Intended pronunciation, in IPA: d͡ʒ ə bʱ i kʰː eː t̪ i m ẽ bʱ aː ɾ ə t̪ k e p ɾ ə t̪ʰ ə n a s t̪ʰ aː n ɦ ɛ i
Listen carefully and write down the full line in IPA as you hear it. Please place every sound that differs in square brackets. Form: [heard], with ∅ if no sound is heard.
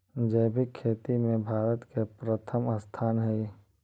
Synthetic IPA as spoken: d͡ʒ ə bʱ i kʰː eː t̪ i m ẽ bʱ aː ɾ ə t̪ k e p ɾ ə t̪ʰ ə [m] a s t̪ʰ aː n ɦ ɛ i